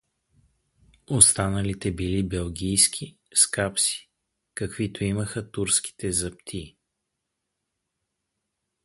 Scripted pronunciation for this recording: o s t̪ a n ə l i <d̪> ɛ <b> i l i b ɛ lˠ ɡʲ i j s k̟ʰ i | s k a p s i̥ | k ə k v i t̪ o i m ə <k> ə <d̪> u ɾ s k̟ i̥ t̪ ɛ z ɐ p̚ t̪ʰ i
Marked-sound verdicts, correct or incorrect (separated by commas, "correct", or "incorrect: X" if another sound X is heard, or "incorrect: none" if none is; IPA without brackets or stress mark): incorrect: t̪, correct, incorrect: x, incorrect: t̪